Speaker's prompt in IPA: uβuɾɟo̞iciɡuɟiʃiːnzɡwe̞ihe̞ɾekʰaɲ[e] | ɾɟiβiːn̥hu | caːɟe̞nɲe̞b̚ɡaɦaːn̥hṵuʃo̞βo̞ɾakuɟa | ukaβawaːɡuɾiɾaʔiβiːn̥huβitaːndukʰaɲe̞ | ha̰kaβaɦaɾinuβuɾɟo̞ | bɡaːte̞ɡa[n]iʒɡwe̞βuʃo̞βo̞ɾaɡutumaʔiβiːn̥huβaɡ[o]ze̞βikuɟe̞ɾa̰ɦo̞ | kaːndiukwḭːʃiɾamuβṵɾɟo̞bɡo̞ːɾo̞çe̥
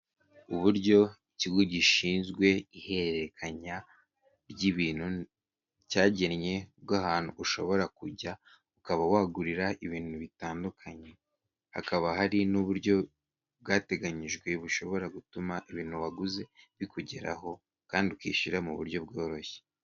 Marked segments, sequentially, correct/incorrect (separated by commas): incorrect, incorrect, incorrect